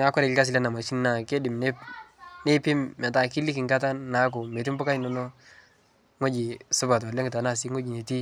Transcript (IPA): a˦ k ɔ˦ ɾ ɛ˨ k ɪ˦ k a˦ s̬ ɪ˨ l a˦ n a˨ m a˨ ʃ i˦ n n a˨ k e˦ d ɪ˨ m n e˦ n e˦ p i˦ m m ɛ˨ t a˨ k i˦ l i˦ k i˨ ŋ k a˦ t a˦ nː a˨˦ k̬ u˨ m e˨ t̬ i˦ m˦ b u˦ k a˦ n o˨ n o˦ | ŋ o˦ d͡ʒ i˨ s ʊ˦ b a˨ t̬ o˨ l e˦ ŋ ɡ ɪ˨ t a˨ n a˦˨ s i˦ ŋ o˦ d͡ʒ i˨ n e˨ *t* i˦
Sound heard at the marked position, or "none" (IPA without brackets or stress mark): t